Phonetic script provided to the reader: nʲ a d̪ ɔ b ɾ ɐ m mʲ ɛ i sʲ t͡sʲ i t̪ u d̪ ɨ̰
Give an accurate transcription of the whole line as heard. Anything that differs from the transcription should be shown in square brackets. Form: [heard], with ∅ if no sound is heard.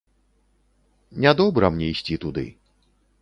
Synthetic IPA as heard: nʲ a d̪ ɔ b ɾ ɐ m [nʲ] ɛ i sʲ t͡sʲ i t̪ u d̪ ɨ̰